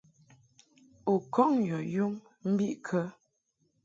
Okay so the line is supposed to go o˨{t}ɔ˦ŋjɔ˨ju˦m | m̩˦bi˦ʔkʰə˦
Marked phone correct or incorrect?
incorrect